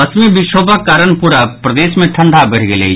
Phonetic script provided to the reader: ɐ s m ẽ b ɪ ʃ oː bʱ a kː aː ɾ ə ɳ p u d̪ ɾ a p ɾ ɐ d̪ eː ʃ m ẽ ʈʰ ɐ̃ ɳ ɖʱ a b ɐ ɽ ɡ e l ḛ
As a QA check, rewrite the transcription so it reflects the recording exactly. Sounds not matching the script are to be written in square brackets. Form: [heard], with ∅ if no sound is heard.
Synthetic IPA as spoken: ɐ s m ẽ b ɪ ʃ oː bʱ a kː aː ɾ ə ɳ p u [∅] ɾ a p ɾ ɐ d̪ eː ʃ m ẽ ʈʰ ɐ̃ ɳ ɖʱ a b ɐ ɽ ɡ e l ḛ